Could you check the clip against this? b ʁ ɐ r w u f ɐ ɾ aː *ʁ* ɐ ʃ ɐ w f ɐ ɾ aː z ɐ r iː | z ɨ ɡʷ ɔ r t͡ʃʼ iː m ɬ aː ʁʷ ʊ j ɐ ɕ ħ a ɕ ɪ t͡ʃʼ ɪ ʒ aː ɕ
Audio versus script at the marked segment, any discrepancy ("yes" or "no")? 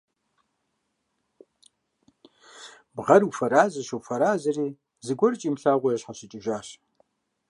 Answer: yes